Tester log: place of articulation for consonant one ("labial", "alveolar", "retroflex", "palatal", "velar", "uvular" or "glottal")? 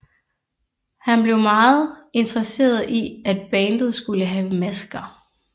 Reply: glottal